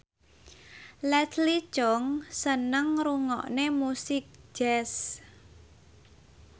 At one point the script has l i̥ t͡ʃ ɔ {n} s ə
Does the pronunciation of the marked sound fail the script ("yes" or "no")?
yes